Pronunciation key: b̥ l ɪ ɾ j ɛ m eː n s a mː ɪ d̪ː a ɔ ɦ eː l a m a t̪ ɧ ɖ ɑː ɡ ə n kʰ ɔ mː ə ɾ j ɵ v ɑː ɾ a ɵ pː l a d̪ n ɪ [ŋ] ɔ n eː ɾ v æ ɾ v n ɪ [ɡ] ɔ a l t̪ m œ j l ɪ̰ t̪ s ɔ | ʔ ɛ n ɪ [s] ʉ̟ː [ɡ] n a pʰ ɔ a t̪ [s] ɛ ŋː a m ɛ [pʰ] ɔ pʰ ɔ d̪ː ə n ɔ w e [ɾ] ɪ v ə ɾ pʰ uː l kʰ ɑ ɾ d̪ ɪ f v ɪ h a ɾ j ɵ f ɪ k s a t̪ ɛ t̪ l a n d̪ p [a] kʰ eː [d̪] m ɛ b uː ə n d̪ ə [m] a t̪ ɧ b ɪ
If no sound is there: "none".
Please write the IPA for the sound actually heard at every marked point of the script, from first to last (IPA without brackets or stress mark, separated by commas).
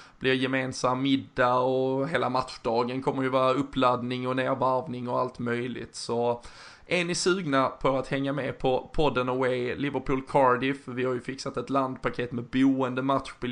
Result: ŋ, ŋ, s, ɡ, h, pʰ, l, a, t̪, m